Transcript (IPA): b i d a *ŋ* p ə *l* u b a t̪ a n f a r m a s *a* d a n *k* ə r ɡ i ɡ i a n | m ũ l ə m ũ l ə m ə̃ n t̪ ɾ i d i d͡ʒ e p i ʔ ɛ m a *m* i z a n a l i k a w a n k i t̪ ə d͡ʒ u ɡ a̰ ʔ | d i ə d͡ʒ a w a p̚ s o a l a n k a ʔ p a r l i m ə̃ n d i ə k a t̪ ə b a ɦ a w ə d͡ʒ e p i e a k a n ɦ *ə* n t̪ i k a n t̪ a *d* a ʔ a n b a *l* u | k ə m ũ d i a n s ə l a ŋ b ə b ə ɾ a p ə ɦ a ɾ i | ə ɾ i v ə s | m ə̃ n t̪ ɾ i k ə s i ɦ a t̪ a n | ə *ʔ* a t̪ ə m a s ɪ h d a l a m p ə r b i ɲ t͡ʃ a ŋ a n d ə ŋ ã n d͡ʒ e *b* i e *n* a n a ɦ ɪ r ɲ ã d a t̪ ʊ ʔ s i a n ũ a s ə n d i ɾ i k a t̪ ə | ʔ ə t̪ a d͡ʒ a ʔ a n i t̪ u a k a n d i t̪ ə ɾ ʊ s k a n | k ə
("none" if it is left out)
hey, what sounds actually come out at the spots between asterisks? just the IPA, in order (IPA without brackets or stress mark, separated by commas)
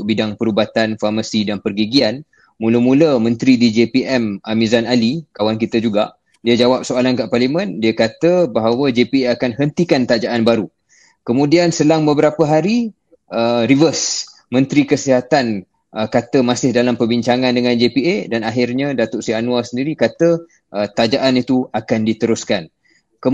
ŋ, ɾ, i, p, m, ə, d͡ʒ, ɾ, k, p, d